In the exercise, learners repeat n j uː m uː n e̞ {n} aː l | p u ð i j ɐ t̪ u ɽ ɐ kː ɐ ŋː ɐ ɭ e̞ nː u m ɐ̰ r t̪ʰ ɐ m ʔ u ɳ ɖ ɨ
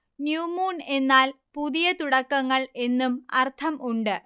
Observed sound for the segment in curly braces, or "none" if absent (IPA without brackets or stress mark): nː